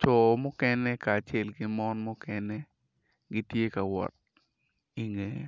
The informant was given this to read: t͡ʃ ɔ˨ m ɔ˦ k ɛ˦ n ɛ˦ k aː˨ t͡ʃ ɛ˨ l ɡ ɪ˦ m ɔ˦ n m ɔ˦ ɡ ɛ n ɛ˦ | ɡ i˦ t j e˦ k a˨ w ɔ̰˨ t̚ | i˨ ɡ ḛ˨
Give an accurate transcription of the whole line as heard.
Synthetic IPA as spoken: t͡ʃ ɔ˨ m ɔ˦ k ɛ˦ n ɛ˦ k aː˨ t͡ʃ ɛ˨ l ɡ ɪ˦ m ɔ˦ n m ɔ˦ k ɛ n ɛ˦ | ɡ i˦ t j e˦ k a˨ w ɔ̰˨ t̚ | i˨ ŋ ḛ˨